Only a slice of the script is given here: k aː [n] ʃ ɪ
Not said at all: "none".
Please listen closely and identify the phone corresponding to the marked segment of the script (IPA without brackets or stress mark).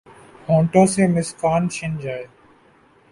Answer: n